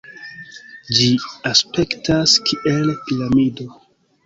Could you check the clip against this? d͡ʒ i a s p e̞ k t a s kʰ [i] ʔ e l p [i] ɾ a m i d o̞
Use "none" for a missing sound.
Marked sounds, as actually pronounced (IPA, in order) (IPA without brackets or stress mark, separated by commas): i, i